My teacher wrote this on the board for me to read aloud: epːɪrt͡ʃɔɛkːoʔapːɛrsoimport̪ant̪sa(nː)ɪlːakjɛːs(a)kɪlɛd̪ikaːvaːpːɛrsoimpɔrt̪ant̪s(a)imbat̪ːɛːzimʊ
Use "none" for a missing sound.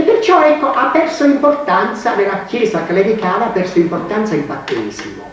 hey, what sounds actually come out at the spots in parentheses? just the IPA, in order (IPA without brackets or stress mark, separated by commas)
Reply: n, a, a